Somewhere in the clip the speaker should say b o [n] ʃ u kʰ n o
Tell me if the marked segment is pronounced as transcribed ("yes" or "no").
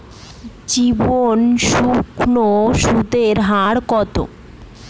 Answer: yes